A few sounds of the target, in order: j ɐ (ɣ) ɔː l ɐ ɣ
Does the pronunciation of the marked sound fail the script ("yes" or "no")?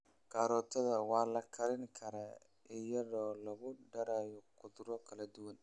yes